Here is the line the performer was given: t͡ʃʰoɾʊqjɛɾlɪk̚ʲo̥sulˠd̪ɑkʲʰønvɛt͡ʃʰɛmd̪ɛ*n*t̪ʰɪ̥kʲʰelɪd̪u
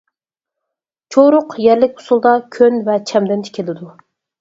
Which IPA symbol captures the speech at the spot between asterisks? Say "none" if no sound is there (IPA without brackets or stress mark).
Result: n